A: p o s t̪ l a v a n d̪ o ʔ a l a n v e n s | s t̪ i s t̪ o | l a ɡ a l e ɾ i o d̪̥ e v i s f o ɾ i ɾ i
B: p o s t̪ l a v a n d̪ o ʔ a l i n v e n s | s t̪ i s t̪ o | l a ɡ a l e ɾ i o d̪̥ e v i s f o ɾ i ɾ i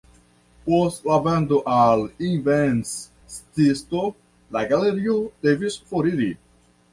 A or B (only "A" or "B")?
B